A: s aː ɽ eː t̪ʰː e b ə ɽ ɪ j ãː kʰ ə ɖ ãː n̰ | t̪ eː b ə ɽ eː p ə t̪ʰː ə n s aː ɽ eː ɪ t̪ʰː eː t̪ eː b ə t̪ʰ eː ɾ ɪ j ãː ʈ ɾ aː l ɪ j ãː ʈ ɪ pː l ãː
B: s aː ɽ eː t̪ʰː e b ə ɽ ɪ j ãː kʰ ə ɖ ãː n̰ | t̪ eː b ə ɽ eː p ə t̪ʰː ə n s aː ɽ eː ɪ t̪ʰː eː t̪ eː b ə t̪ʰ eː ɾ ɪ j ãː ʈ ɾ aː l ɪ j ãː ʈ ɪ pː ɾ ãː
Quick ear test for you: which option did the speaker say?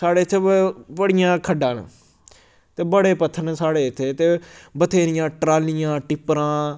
B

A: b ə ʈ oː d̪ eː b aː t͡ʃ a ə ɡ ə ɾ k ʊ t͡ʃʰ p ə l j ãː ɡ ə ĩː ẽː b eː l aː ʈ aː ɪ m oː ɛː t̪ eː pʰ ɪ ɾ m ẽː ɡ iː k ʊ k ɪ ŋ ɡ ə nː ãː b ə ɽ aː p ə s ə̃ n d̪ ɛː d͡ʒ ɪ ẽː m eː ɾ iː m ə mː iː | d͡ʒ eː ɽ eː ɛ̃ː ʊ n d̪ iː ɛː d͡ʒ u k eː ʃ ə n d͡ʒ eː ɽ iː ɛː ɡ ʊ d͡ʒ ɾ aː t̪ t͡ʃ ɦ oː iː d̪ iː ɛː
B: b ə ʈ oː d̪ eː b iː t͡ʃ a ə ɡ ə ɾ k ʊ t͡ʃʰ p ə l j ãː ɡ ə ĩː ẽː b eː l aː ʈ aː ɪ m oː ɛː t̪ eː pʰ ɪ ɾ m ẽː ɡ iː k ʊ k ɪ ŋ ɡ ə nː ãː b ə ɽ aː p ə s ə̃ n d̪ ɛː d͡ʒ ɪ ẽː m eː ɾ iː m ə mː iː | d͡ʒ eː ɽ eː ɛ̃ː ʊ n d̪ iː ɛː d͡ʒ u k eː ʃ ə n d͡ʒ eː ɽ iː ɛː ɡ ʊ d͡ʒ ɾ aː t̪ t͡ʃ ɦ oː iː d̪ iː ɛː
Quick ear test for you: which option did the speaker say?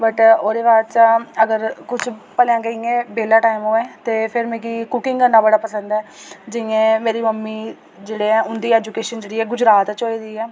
A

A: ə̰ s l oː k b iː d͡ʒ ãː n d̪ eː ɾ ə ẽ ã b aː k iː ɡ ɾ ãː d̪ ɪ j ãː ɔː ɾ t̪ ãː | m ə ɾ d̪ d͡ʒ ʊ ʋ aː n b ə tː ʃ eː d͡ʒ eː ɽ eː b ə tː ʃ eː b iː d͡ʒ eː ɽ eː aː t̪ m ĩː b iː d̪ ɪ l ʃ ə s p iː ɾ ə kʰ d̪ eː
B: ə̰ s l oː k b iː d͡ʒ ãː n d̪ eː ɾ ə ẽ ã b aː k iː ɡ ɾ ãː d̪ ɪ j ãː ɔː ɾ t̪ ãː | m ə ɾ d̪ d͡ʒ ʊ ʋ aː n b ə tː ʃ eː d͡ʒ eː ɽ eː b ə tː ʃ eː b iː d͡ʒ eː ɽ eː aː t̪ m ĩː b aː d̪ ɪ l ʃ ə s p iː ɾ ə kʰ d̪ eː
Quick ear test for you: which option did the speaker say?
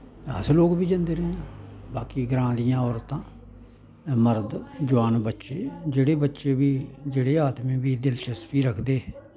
A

